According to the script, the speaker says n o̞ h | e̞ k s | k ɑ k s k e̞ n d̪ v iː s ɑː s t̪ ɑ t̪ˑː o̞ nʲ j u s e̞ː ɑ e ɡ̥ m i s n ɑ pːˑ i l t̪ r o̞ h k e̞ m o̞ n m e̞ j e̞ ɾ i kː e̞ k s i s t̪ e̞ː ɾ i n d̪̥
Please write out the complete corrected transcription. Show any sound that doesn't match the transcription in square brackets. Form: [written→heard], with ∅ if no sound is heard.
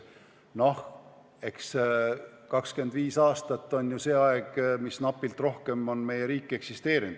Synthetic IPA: n o̞ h | e̞ k s | k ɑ k s k e̞ n d̪ v iː s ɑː s t̪ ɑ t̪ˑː o̞ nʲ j u s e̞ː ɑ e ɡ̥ m i s n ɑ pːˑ i l t̪ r o̞ h k e̞ m o̞ n m e̞ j e̞ ɾ [i→iː] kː e̞ k s i s t̪ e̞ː ɾ i n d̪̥